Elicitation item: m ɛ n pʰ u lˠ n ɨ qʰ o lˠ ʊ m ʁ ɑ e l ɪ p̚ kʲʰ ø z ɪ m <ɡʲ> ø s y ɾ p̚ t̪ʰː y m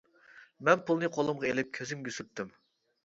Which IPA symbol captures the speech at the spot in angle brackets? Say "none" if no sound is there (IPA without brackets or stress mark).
ɡʲ